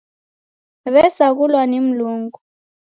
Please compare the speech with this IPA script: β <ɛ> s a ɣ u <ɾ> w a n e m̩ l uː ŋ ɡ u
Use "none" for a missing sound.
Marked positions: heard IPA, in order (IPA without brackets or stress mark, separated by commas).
ɛ, l